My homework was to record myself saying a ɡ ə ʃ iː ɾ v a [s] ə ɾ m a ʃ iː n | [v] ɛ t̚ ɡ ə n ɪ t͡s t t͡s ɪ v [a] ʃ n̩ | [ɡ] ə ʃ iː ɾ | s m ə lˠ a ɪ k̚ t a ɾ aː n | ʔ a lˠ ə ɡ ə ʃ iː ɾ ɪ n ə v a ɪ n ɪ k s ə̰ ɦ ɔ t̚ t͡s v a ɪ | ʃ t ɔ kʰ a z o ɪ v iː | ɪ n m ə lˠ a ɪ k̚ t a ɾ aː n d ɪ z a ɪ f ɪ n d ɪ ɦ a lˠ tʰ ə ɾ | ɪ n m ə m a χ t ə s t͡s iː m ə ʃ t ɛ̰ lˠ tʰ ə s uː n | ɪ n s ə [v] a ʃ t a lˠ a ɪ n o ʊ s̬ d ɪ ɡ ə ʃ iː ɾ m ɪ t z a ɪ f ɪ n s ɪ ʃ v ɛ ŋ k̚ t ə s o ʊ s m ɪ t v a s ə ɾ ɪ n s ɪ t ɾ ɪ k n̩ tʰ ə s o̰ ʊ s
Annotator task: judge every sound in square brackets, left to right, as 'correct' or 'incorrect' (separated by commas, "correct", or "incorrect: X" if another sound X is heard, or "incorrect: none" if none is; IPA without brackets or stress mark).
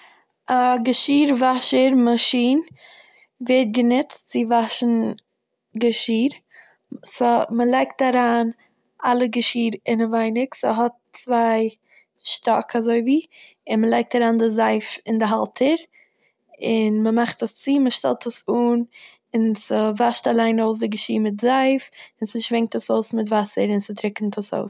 incorrect: ʃ, correct, correct, correct, correct